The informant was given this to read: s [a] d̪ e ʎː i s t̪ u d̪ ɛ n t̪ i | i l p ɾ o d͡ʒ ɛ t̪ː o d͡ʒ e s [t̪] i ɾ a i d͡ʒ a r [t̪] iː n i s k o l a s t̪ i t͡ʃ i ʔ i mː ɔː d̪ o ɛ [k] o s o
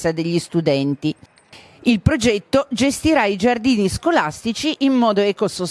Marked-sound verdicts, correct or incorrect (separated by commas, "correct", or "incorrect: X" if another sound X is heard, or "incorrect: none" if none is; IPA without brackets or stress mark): correct, correct, incorrect: d̪, correct